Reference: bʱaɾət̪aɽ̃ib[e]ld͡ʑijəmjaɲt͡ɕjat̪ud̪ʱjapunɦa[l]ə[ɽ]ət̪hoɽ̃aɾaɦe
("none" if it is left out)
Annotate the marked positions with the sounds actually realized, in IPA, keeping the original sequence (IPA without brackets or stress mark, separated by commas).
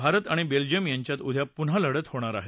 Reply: e, l, ɽ